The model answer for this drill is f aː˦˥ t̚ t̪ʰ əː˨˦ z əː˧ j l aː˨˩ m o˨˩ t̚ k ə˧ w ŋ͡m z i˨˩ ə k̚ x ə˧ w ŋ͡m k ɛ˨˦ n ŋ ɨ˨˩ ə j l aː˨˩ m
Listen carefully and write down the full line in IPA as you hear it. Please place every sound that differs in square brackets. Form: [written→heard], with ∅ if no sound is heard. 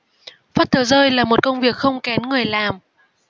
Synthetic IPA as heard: f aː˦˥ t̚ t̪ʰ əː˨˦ z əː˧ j l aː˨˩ m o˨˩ t̚ k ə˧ w ŋ͡m [z→v] i˨˩ ə k̚ x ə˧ w ŋ͡m k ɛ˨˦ n ŋ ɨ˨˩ ə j l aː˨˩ m

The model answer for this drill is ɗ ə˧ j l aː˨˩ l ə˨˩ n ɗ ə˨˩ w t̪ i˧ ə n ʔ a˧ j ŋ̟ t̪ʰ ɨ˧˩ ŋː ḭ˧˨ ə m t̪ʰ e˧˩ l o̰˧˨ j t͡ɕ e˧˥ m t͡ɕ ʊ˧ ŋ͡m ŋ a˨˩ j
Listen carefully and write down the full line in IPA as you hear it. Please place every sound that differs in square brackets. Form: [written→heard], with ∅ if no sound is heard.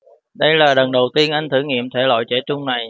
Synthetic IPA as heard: ɗ ə˧ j l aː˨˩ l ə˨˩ n ɗ ə˨˩ w t̪ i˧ ə n ʔ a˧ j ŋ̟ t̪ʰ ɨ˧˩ [ŋː→ŋ] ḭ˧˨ ə m t̪ʰ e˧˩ l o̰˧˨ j t͡ɕ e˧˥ [m→∅] t͡ɕ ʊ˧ ŋ͡m [ŋ→n] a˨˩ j

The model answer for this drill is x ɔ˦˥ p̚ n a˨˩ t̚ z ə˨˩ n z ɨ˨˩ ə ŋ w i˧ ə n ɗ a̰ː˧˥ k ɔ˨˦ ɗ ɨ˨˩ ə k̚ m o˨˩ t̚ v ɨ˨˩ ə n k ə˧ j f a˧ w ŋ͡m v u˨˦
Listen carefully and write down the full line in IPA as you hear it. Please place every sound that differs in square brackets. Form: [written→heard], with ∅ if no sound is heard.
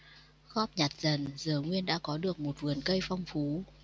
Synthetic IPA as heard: x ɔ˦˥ p̚ [n→ɲ] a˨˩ t̚ z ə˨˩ n z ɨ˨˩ ə ŋ w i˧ ə n ɗ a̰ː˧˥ k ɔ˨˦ ɗ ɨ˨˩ ə k̚ m o˨˩ t̚ v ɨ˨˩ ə n k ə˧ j f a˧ w ŋ͡m [v→f] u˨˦

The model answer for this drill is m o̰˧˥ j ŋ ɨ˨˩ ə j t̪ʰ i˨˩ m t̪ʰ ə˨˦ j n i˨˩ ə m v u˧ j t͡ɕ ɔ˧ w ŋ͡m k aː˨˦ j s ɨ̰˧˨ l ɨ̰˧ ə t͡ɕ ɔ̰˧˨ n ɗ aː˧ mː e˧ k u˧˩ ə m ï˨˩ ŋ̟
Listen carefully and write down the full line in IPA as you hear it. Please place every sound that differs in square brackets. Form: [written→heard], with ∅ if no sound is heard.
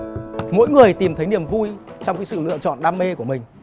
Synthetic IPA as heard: m o̰˧˥ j ŋ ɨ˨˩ ə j [t̪ʰ→t̪] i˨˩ m t̪ʰ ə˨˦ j n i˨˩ ə m v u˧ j t͡ɕ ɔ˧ w ŋ͡m k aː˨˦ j s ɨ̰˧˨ l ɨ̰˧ ə t͡ɕ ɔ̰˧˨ n ɗ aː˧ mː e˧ k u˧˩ ə m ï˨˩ ŋ̟

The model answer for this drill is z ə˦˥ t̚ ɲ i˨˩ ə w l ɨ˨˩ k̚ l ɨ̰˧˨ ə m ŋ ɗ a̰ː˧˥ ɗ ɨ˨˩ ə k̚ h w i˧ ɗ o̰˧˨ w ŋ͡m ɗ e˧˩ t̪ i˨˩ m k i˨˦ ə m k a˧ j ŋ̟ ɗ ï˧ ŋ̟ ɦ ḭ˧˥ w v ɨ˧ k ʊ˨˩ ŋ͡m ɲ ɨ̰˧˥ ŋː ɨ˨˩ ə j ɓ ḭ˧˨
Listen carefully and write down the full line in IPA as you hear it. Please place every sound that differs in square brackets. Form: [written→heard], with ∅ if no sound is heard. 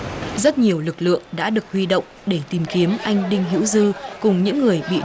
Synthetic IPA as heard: z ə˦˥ t̚ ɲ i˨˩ ə w l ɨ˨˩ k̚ l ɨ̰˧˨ ə [m→∅] ŋ ɗ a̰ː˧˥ ɗ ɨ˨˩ ə k̚ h w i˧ ɗ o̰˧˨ w ŋ͡m ɗ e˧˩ t̪ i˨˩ m k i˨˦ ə m [k→ʔ] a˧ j ŋ̟ ɗ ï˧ ŋ̟ ɦ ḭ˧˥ w [v→z] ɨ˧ k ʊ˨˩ ŋ͡m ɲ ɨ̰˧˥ ŋː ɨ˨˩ ə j ɓ ḭ˧˨

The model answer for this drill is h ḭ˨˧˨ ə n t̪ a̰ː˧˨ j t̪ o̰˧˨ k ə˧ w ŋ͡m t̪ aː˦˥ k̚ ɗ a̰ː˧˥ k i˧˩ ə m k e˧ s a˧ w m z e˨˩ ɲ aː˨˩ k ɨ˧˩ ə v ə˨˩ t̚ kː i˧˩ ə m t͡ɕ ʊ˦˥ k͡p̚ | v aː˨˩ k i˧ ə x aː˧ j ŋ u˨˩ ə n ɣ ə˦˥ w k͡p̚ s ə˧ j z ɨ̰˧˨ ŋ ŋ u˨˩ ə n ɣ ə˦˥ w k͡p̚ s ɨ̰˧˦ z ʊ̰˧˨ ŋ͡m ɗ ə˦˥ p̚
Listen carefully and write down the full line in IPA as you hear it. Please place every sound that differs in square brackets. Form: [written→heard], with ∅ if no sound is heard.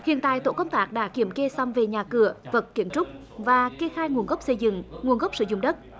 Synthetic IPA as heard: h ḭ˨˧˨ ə n t̪ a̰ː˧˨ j t̪ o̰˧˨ k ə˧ w ŋ͡m t̪ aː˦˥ k̚ ɗ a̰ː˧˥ k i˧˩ ə m k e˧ s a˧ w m [z→v] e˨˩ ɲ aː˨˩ k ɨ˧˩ ə v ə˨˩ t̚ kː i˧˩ ə m t͡ɕ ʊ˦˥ k͡p̚ | v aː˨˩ k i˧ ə x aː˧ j ŋ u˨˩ ə n ɣ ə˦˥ w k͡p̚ s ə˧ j z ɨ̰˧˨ ŋ ŋ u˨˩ ə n ɣ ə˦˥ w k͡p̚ s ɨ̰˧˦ z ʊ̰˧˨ ŋ͡m ɗ ə˦˥ [p̚→t̚]

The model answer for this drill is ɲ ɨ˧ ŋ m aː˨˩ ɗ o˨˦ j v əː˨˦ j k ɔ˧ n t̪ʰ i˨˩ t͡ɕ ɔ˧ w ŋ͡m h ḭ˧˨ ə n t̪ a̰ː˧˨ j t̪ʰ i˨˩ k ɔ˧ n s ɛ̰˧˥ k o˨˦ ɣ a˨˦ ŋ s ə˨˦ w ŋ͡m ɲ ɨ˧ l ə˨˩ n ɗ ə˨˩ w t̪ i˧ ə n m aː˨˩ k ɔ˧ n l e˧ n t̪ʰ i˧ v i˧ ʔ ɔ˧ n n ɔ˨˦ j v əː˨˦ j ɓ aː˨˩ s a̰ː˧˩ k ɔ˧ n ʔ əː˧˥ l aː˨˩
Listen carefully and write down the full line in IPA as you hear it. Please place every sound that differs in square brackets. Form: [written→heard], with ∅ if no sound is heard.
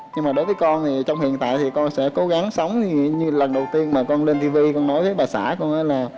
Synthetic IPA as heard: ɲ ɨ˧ ŋ m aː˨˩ ɗ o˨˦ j v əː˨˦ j k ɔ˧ n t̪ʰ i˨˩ t͡ɕ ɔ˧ w ŋ͡m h ḭ˧˨ ə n t̪ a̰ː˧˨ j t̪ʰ i˨˩ k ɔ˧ n s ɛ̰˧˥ k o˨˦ ɣ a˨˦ ŋ s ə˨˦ w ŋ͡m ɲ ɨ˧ l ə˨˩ n ɗ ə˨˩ w t̪ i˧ ə n m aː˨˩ k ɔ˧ n l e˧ n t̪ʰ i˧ v i˧ [ʔ→k] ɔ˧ n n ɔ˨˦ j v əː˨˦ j ɓ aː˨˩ s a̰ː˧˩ k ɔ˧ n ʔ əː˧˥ l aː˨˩

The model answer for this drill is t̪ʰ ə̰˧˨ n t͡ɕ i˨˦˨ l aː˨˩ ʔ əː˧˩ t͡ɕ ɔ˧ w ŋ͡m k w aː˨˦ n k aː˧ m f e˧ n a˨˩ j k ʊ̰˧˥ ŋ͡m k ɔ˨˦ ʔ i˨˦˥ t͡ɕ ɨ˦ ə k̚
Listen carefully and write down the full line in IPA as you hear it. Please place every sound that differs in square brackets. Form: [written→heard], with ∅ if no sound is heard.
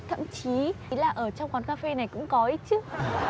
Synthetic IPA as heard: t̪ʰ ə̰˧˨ [n→m] t͡ɕ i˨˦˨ l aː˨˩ ʔ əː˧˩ t͡ɕ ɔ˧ w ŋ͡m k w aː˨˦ n k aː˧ [m→∅] f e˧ n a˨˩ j k ʊ̰˧˥ ŋ͡m k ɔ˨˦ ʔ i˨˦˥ t͡ɕ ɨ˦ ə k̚

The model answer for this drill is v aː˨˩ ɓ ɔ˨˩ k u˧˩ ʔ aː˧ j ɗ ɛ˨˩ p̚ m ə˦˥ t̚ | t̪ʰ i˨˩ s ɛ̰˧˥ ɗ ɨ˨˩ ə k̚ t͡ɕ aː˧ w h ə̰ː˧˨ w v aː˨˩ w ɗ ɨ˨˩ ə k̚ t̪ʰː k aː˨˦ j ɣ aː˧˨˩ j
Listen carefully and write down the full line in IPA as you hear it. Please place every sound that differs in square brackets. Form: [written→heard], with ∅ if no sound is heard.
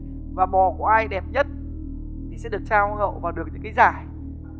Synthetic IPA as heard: v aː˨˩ ɓ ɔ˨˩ k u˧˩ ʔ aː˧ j ɗ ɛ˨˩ p̚ [m→ɲ] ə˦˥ t̚ | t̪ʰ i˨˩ s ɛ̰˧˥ ɗ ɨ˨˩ ə k̚ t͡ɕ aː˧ w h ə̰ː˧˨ w v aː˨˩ w ɗ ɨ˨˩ ə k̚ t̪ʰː k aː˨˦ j [ɣ→z] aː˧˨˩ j

